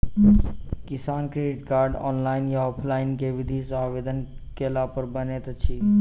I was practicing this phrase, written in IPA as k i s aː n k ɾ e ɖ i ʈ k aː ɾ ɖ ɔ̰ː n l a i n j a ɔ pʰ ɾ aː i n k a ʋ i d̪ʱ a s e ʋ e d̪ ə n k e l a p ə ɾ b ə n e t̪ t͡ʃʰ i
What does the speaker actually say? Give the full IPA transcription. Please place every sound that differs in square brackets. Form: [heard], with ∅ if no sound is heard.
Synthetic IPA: k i s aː n k ɾ e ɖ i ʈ k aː ɾ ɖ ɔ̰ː n l a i n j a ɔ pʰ [l] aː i n k [e] ʋ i d̪ʱ [i] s [a] ʋ e d̪ ə n k e l a p ə ɾ b ə n e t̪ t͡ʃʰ i